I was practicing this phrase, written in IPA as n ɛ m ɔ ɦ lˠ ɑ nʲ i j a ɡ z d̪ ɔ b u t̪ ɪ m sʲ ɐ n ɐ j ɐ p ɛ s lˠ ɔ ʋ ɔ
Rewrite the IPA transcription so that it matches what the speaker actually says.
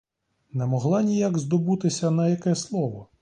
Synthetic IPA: n ɛ m ɔ ɦ lˠ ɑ nʲ i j a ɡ z d̪ ɔ b u t̪ ɪ sʲ ɐ n ɐ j ɐ k ɛ s lˠ ɔ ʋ ɔ